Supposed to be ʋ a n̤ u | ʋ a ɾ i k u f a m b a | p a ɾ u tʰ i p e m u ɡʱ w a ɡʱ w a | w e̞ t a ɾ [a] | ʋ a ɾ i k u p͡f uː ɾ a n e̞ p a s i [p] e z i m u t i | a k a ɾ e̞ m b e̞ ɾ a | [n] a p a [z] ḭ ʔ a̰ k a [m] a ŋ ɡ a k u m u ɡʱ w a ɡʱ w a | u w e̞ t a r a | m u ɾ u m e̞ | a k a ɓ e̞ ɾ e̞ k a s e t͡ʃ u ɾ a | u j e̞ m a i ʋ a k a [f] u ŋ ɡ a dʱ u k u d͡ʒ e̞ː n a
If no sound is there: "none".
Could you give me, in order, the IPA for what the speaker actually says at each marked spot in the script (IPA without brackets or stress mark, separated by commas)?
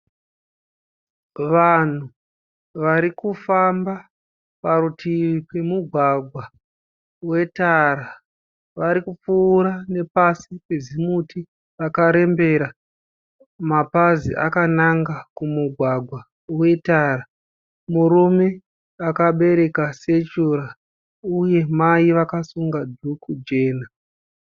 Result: a, p, m, z, n, s